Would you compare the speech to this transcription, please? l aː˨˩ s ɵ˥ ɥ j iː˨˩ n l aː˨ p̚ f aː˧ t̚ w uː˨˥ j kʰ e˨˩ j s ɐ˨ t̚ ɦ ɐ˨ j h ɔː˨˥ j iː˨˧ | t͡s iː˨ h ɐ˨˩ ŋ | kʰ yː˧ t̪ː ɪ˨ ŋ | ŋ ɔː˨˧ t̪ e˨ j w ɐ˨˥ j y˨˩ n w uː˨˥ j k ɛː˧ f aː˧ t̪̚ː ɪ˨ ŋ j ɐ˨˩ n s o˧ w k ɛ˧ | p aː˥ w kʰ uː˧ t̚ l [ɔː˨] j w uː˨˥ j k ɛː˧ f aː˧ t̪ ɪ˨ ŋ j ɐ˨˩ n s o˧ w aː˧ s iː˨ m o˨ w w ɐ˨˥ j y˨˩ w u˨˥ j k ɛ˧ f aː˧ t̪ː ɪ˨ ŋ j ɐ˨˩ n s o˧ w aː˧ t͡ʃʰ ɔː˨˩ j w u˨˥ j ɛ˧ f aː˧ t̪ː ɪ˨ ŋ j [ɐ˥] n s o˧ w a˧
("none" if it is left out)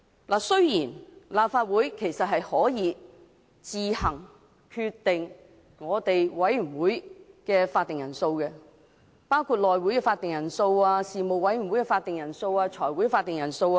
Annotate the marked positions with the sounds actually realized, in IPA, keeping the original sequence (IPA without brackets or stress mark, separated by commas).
ɔː˨, ɐ˨˩